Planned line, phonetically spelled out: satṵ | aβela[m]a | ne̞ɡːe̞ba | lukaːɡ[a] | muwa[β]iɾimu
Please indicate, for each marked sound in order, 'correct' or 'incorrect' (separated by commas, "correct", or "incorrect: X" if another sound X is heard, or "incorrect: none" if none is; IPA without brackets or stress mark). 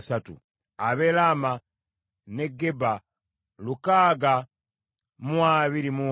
correct, correct, correct